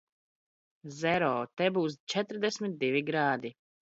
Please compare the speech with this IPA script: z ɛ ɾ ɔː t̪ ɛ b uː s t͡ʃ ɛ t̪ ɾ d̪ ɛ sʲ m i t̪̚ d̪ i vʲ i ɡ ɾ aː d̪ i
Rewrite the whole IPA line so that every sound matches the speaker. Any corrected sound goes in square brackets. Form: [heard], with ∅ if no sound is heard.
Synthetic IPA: z ɛ ɾ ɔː t̪ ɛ b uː s t͡ʃ ɛ t̪ ɾ d̪ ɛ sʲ m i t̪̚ d̪ i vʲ i ɡ ɾ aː d̪ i